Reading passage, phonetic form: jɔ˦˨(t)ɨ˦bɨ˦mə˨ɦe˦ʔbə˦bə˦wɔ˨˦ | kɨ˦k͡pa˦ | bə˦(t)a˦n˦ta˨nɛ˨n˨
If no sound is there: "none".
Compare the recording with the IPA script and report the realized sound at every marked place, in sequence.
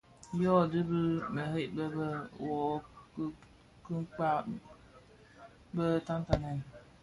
d, t

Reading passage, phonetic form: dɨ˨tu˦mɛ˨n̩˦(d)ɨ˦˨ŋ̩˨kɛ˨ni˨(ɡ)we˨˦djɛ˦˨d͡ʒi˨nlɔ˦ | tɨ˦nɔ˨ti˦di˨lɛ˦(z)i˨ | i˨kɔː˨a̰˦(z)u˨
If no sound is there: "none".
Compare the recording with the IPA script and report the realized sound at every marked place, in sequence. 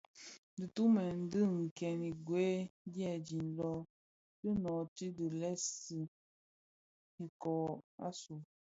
d, ɡ, s, s

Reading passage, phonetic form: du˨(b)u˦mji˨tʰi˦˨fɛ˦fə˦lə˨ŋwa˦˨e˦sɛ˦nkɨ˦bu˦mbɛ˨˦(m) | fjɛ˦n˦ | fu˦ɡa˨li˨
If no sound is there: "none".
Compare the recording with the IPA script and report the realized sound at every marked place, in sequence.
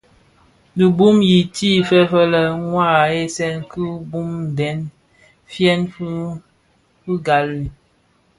b, n

